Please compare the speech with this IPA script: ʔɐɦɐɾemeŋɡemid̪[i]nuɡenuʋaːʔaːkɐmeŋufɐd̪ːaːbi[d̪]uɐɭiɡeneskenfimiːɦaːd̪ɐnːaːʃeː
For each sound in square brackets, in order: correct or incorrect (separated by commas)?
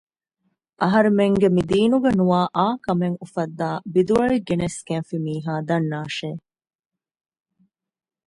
incorrect, correct